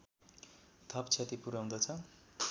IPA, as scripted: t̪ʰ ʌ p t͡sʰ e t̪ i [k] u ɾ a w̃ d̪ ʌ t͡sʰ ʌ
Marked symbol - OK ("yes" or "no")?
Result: no